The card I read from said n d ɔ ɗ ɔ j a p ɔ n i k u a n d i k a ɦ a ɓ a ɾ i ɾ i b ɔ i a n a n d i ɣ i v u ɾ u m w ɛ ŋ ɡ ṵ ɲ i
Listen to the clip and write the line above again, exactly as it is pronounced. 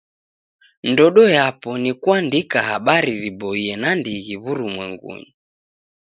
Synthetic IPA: n d ɔ ɗ ɔ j a p ɔ n i k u a n d i k a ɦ a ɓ a ɾ i ɾ i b ɔ i ɛ n a n d i ɣ i β u ɾ u m w ɛ ŋ ɡ ṵ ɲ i